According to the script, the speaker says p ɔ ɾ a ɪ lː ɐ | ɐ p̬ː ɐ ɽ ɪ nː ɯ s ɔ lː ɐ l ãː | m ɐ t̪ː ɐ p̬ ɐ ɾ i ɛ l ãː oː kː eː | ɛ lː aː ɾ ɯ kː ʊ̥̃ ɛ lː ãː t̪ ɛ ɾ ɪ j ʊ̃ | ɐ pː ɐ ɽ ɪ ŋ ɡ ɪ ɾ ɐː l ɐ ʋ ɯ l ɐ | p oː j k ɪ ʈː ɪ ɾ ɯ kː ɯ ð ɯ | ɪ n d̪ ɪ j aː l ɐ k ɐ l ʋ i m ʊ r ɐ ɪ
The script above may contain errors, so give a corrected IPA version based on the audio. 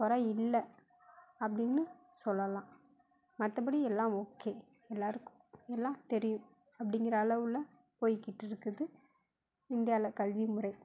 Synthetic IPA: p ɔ ɾ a ɪ lː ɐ | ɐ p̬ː ɐ ɽ ɪ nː ɯ s ɔ lː ɐ l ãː | m ɐ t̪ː ɐ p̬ ɐ ɽ i ɛ lː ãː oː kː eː | ɛ lː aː ɾ ɯ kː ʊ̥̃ ɛ lː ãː t̪ ɛ ɾ ɪ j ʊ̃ | ɐ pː ɐ ɽ ɪ ŋ ɡ ɪ ɾ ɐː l ɐ ʋ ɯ l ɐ | p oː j k ɪ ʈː ɪ ɾ ɯ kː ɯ ð ɯ | ɪ n d̪ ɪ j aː l ɐ k ɐ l ʋ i m ʊ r ɐ ɪ